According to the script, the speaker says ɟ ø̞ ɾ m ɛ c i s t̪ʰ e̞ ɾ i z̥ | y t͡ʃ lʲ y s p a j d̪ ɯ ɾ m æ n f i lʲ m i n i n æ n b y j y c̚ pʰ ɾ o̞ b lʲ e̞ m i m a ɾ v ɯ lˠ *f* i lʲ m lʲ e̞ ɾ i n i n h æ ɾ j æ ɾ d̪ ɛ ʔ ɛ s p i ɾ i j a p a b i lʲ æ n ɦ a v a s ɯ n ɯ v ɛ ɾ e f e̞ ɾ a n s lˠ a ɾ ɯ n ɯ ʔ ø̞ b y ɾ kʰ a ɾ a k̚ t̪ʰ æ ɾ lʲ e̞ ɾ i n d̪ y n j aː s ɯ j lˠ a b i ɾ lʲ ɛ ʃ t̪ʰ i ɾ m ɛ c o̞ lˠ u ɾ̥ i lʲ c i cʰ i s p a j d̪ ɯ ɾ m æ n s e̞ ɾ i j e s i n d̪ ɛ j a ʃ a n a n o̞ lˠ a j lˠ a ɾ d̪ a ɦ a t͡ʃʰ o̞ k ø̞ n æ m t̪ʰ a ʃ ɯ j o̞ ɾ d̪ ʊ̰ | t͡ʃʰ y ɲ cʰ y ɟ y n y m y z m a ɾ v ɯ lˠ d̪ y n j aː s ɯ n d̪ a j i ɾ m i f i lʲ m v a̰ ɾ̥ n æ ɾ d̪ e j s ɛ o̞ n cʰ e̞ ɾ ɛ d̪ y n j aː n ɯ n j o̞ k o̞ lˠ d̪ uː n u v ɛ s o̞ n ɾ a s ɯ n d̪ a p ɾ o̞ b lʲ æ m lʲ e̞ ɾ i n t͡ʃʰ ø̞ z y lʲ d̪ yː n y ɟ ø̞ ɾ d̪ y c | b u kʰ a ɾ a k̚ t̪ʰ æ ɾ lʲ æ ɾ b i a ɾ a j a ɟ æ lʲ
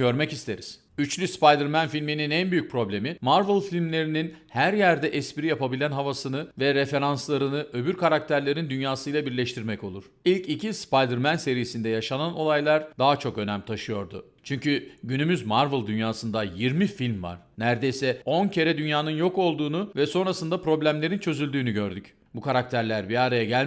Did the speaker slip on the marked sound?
no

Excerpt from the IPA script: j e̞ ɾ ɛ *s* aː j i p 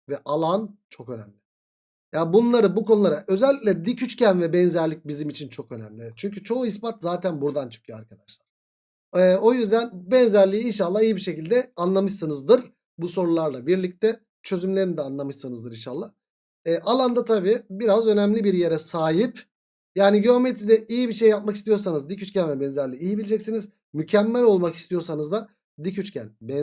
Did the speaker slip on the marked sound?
no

